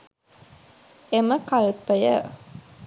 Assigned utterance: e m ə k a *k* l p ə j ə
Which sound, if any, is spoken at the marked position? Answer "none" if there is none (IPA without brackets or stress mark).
none